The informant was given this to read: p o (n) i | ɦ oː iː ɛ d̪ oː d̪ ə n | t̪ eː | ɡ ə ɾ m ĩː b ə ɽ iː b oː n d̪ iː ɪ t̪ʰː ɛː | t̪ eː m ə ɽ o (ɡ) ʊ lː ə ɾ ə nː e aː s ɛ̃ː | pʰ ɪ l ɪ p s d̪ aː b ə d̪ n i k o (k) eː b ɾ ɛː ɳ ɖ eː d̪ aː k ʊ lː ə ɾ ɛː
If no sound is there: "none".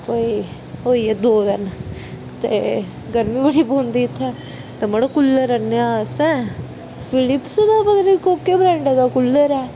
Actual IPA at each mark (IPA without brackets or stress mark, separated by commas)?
none, k, k